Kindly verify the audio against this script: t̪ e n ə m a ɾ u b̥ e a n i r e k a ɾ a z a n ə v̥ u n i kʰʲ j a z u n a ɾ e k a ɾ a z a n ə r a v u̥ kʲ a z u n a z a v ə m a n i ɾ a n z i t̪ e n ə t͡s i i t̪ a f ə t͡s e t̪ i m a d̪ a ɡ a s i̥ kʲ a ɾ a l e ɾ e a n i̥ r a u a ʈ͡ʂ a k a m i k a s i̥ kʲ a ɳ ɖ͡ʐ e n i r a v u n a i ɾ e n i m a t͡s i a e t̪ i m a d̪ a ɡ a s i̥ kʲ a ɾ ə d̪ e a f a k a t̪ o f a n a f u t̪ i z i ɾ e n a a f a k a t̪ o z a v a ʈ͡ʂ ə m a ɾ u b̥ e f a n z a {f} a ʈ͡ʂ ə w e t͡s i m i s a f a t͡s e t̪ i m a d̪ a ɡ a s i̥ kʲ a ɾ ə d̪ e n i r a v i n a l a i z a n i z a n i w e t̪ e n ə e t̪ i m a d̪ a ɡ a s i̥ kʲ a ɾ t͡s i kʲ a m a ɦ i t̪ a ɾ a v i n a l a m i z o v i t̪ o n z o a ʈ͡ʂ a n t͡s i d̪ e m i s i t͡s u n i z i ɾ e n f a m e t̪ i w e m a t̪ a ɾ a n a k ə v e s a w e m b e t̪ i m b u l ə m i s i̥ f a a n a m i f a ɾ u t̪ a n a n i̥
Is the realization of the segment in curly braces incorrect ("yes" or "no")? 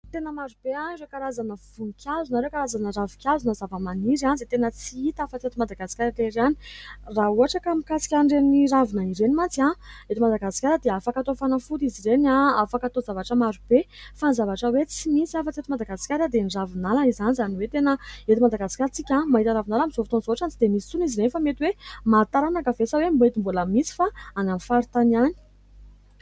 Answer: yes